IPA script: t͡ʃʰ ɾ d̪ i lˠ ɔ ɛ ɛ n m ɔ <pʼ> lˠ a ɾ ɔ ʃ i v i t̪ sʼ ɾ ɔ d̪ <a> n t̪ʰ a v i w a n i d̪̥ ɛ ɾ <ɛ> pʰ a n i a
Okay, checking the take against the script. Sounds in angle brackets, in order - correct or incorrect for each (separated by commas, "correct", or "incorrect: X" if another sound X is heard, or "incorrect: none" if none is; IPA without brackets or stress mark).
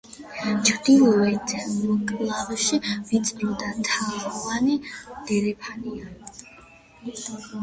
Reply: incorrect: kʼ, correct, correct